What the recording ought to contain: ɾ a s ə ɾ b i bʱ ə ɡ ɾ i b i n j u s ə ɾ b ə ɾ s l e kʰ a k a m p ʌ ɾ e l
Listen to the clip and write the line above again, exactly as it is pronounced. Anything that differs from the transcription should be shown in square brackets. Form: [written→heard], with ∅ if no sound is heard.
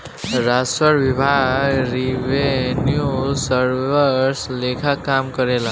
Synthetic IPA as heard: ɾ a s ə ɾ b i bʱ [ə→a] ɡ ɾ i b [i→e] n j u s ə ɾ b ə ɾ s l e kʰ a k a m [p→k] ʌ ɾ e l